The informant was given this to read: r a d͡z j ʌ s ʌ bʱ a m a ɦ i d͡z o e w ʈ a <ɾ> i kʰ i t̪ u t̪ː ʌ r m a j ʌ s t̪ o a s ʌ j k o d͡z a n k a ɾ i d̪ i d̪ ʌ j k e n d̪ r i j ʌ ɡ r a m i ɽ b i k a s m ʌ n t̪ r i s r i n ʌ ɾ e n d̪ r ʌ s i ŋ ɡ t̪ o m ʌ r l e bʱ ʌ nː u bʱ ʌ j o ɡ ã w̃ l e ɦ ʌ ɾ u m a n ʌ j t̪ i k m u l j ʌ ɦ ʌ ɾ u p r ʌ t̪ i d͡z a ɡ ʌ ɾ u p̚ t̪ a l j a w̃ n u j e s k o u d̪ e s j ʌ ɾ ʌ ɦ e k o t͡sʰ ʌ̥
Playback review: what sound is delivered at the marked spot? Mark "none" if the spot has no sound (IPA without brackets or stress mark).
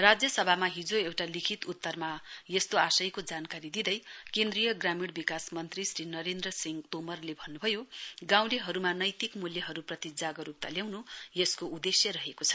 l